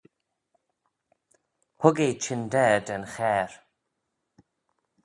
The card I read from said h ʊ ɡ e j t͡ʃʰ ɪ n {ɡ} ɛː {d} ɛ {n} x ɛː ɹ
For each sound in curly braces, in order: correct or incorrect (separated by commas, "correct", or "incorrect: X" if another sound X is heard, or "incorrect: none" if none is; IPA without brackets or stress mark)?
incorrect: d, correct, correct